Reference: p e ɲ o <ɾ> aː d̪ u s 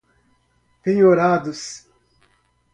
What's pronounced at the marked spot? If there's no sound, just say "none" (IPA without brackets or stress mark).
ɾ